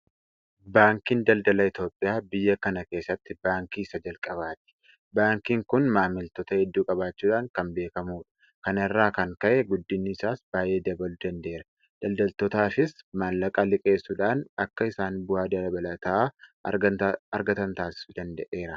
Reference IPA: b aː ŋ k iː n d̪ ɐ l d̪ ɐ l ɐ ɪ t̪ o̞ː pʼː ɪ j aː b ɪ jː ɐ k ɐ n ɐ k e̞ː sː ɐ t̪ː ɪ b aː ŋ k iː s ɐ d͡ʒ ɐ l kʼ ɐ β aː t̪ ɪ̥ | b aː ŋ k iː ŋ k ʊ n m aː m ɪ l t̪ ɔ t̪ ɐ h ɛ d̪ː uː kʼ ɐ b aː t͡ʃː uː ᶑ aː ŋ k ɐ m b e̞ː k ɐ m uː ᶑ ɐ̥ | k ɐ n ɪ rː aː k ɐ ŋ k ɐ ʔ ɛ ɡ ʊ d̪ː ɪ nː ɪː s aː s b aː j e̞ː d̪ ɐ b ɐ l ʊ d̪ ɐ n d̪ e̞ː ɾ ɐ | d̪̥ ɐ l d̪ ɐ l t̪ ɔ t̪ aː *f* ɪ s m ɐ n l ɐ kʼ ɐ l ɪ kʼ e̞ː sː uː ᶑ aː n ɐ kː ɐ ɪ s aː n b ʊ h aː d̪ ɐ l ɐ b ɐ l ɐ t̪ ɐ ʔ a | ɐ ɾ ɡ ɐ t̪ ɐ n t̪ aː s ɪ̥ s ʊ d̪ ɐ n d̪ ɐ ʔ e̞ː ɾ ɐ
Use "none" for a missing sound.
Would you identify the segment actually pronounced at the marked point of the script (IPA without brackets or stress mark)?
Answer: f